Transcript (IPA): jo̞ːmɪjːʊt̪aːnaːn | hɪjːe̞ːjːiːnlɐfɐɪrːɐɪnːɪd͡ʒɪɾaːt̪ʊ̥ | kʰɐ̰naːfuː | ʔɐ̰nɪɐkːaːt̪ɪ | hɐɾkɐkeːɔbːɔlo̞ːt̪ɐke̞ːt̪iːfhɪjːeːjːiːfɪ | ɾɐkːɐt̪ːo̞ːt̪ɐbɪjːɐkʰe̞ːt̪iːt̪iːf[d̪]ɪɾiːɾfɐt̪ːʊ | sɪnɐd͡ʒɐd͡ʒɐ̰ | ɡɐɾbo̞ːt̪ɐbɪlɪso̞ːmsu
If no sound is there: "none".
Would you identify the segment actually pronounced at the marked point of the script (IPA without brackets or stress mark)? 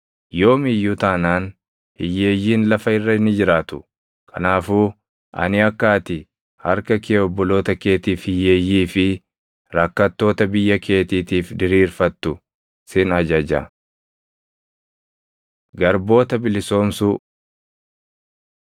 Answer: d̪